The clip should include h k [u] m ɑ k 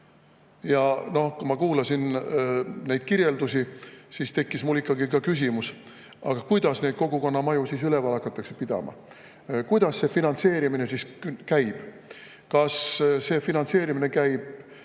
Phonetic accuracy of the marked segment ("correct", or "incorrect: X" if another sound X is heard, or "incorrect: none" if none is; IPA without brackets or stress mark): correct